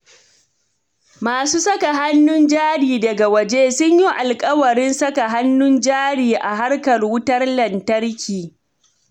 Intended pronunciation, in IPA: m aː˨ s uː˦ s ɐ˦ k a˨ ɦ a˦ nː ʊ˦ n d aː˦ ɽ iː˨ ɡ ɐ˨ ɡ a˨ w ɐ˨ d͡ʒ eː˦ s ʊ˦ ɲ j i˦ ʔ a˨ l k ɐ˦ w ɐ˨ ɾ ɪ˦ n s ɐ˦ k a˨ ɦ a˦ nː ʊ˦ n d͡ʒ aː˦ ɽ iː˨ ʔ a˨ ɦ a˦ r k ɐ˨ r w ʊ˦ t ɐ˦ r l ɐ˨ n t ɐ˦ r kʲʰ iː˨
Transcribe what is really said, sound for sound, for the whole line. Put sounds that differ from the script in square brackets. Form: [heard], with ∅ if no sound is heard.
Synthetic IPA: m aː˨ s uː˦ s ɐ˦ k a˨ ɦ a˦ nː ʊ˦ n [d͡ʒ] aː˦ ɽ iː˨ [d] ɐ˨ ɡ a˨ w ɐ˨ d͡ʒ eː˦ s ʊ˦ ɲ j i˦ ʔ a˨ l [kʼ] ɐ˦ w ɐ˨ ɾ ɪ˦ n s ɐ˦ k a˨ ɦ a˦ nː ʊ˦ n d͡ʒ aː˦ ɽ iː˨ ʔ a˨ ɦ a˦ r k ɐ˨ r w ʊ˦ t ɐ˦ r l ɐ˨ n t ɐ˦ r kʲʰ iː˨